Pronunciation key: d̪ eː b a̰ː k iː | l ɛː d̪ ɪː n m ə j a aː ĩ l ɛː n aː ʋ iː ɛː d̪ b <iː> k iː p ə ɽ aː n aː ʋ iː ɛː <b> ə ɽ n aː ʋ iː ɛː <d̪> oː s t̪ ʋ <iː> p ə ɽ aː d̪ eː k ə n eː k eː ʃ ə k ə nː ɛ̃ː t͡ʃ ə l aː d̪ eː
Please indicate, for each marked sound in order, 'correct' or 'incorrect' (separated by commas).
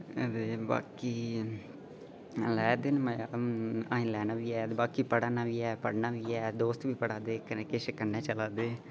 incorrect, incorrect, correct, correct